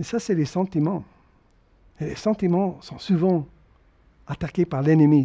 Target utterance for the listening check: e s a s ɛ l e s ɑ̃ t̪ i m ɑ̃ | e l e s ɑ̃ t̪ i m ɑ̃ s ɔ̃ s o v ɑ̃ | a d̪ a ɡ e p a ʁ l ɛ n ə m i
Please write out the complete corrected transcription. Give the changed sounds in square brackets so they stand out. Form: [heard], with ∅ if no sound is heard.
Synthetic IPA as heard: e s a s ɛ l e s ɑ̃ t̪ i m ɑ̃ | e l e s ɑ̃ t̪ i m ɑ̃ s ɔ̃ s [u] v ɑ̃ | a [t̪] a [k] e p a ʁ l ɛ n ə m i